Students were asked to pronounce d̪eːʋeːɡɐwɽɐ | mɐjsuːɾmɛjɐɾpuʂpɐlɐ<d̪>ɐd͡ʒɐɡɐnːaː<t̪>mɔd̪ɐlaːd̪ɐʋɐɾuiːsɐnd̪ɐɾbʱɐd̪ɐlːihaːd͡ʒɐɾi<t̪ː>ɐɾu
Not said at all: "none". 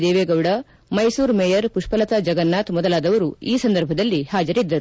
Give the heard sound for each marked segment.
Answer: t̪, t̪, d̪ː

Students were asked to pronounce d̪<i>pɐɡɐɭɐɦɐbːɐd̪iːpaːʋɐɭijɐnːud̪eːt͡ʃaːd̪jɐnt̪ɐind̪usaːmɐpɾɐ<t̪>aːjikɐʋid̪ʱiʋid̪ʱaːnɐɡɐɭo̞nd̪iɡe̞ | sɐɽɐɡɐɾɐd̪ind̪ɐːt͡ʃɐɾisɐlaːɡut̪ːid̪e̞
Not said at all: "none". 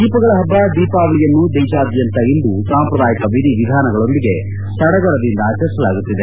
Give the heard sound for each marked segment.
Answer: iː, d̪

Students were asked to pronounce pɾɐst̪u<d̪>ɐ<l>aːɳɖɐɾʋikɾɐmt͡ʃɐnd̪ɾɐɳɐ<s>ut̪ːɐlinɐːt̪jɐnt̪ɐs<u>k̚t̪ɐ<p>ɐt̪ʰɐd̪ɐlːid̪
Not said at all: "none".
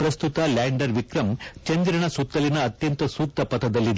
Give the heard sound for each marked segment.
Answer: t̪, l, s, uː, p

